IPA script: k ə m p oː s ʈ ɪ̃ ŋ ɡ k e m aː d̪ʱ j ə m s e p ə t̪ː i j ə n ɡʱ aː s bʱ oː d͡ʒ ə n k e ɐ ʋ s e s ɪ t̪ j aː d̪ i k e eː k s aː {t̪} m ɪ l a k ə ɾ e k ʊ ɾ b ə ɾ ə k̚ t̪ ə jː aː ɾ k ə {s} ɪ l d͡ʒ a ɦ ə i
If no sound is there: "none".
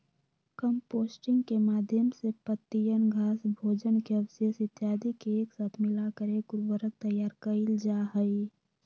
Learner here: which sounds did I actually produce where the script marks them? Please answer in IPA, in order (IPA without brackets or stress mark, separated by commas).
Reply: t̪ʰ, none